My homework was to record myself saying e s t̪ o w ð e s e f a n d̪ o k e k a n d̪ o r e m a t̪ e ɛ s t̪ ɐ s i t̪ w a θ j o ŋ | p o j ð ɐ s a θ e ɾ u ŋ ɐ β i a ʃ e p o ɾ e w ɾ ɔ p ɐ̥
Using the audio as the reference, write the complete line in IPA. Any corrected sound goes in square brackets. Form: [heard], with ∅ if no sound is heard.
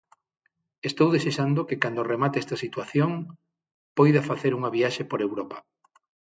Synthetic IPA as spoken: e s t̪ o w ð e s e [ʃ] a n d̪ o k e k a n d̪ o r e m a t̪ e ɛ s t̪ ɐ s i t̪ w a θ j o ŋ | p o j ð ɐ [f] a θ e ɾ u ŋ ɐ β i a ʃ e p o ɾ e w ɾ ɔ p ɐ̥